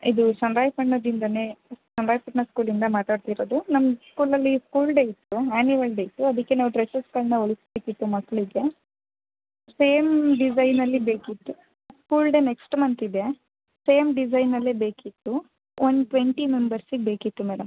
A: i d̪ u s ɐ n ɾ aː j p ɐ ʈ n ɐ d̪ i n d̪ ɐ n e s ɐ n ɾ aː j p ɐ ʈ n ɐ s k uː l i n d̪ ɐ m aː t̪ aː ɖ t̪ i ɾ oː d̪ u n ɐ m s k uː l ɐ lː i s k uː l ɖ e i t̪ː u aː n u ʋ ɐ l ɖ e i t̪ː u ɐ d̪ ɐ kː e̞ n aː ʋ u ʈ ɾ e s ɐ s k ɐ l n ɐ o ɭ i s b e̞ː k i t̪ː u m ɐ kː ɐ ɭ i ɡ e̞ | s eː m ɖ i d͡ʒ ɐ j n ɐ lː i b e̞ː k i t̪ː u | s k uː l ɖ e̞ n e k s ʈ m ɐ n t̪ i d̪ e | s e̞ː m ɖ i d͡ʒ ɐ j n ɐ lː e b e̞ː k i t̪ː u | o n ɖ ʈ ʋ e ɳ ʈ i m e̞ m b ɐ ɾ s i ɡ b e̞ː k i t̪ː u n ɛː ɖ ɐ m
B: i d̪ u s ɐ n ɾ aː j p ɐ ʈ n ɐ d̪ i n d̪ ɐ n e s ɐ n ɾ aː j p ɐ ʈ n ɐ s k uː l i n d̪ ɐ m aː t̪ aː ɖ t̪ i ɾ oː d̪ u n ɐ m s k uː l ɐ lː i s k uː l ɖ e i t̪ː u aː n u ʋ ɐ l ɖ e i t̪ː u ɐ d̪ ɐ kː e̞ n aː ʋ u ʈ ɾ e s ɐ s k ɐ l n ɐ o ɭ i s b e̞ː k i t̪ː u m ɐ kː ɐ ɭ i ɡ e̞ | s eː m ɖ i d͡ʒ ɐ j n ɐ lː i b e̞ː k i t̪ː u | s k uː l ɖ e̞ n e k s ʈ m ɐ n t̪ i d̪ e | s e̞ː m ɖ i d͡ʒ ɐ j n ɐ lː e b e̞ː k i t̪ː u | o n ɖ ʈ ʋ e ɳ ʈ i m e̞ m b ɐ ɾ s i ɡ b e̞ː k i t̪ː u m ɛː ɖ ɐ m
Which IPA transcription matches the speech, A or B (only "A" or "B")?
B